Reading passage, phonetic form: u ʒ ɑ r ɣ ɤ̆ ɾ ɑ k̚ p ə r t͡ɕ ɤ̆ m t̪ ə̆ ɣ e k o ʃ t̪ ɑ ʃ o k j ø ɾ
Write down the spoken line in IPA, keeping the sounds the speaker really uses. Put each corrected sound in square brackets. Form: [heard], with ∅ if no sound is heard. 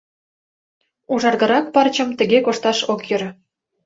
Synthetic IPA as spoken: u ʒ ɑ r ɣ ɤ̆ ɾ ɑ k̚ p [ɑ] r t͡ɕ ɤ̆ m t̪ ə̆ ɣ e k o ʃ t̪ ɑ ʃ o k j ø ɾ